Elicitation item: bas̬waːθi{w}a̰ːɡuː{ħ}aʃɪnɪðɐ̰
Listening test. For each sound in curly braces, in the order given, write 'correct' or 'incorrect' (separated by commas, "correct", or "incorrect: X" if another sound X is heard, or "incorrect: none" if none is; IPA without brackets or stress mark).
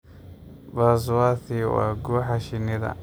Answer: correct, correct